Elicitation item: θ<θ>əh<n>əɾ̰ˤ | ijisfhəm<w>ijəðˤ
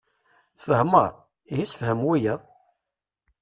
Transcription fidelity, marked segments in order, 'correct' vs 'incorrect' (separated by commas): incorrect, incorrect, correct